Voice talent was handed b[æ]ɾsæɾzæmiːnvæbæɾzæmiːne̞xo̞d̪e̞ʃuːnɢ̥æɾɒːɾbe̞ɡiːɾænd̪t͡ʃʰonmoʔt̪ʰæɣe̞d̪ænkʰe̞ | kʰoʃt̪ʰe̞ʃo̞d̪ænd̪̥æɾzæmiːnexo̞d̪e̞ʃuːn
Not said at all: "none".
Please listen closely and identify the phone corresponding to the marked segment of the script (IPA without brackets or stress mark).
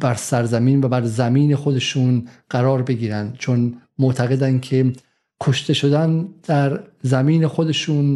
æ